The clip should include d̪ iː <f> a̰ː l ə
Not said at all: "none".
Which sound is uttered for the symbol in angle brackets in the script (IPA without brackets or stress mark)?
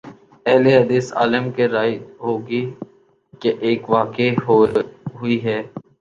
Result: s